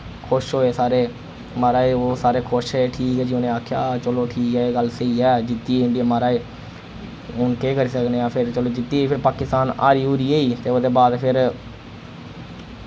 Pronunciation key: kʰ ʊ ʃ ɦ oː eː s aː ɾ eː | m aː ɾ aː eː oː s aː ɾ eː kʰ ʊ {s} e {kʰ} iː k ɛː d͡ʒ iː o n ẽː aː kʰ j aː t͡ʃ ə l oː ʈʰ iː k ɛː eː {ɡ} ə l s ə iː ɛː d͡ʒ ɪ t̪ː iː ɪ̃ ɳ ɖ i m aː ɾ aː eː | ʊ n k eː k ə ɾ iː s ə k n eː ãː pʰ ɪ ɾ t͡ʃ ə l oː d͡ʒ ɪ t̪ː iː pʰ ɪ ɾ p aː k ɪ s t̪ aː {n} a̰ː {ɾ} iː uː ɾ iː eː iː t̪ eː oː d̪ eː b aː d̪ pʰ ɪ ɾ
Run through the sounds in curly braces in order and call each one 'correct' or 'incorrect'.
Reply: incorrect: ʃ, incorrect: ʈʰ, correct, correct, correct

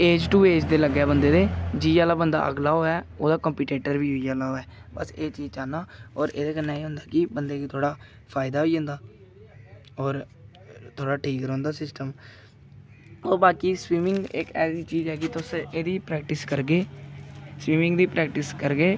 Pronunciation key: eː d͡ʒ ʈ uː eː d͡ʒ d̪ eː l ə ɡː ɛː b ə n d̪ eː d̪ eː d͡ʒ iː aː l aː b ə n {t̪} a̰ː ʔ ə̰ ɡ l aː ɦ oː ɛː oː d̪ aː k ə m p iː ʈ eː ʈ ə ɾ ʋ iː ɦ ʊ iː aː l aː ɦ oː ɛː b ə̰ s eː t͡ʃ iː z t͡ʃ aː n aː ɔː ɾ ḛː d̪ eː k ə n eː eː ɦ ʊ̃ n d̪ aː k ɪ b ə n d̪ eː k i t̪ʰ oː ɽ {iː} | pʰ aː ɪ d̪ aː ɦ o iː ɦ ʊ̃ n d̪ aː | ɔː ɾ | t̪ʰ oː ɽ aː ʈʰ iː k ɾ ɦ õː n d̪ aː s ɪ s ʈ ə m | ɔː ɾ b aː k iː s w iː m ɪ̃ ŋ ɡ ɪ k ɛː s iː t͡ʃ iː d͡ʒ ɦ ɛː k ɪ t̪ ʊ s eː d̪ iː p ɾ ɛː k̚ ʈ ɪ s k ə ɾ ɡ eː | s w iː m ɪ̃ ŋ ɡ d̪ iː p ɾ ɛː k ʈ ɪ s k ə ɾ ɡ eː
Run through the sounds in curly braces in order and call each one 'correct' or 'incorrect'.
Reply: incorrect: d̪, incorrect: aː

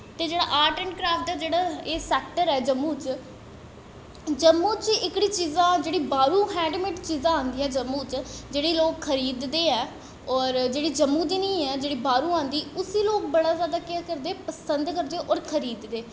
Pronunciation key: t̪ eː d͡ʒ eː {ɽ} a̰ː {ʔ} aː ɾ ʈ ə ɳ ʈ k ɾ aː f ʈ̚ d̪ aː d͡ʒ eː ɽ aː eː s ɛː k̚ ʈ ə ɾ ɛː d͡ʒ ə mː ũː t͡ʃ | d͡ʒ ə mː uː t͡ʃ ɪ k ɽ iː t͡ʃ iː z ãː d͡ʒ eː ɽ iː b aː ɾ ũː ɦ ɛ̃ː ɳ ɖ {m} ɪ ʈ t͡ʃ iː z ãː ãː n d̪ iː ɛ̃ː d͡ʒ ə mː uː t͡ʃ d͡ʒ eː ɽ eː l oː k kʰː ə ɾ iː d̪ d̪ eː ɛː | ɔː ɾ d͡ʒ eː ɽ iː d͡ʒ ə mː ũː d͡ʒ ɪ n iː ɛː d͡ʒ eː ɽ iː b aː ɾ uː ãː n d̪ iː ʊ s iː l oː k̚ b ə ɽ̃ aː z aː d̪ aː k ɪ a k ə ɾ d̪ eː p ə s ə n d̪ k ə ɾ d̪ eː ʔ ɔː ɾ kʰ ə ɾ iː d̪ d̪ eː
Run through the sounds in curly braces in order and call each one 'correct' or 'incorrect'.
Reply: correct, correct, correct

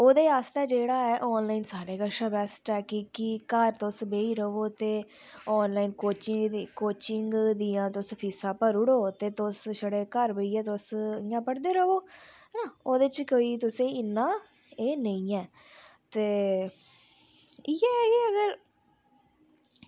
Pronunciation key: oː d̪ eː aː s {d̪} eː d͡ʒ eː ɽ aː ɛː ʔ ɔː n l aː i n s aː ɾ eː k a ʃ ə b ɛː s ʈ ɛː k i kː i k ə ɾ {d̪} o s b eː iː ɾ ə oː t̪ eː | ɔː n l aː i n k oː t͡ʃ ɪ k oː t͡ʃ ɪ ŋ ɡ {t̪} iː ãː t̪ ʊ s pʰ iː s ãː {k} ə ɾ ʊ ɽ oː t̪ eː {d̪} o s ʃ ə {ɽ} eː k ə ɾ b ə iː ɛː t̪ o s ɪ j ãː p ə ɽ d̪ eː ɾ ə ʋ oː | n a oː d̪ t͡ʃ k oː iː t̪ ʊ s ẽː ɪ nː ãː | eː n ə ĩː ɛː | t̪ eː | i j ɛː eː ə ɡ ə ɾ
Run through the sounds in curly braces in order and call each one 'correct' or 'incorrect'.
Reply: incorrect: t̪, incorrect: t̪, incorrect: d̪, incorrect: p, incorrect: t̪, correct

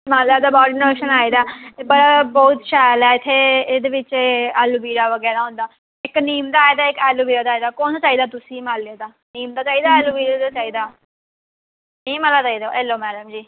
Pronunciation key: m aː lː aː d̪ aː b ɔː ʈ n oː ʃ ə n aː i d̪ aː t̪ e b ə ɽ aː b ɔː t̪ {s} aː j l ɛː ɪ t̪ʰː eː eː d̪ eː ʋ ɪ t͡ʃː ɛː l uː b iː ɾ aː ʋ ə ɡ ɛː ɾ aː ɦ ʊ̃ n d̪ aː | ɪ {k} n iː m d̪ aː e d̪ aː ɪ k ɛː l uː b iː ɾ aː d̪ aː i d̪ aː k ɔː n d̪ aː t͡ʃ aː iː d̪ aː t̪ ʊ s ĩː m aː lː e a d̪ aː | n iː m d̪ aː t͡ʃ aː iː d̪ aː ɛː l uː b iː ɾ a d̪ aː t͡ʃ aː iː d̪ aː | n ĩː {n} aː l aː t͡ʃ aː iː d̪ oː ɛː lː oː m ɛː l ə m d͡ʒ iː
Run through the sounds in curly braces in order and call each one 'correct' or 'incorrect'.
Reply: incorrect: ʃ, correct, incorrect: m

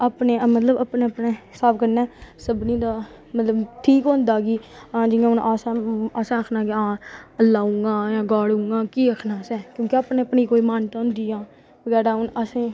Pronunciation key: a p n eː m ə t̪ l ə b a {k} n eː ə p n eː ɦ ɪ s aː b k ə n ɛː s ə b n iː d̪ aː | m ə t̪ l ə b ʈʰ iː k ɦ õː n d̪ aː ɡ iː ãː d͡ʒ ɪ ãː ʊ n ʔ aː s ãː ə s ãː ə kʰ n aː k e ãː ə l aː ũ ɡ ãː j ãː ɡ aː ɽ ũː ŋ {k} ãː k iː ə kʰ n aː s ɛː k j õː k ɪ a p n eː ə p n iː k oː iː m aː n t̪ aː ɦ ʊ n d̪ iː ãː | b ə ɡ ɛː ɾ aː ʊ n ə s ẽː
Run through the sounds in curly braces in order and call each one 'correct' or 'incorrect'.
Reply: incorrect: p, incorrect: ɡ

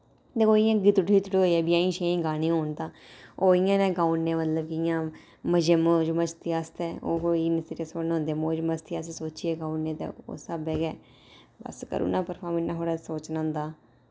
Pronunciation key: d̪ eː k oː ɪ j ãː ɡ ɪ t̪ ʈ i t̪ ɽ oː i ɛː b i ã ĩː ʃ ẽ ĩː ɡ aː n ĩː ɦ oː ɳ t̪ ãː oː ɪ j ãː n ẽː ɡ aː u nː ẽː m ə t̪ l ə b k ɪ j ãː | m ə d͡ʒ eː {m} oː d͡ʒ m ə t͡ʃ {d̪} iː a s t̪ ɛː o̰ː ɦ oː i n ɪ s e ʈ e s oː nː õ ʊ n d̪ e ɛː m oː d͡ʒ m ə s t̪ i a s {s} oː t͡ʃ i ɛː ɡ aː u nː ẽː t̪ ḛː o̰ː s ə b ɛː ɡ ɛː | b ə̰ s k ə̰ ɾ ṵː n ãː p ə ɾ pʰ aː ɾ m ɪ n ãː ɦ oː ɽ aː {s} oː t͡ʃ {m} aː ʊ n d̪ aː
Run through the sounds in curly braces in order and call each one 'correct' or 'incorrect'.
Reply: correct, incorrect: t̪, correct, correct, incorrect: n

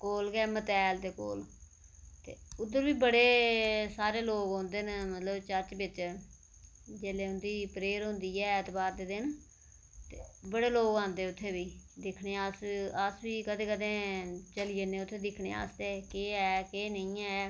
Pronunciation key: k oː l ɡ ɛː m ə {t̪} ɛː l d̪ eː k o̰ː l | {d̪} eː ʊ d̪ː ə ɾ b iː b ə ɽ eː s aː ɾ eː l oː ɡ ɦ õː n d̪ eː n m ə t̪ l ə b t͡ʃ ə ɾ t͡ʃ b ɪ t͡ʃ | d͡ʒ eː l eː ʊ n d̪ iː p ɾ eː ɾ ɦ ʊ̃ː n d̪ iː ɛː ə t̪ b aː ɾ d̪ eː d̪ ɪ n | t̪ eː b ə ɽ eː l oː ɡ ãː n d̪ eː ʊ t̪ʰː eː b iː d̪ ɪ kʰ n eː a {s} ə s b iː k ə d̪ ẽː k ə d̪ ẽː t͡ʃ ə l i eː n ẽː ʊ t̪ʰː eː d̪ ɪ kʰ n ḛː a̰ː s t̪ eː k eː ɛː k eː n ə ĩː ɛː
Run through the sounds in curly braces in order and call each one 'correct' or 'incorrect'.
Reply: correct, incorrect: t̪, correct

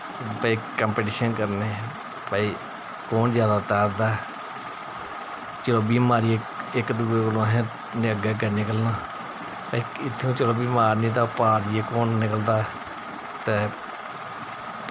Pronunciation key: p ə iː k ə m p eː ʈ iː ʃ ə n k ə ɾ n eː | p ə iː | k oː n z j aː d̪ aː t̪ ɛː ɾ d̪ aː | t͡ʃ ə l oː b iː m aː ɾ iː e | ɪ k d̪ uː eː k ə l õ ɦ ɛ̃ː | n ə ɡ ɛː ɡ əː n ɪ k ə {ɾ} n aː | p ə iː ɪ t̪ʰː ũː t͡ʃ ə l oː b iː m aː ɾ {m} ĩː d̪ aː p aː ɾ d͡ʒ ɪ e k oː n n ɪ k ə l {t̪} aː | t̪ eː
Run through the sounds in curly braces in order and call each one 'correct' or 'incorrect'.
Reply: incorrect: l, incorrect: n, incorrect: d̪

